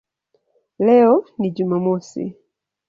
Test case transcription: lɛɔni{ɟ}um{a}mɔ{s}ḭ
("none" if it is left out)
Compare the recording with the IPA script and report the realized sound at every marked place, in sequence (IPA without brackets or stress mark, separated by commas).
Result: ɟ, a, s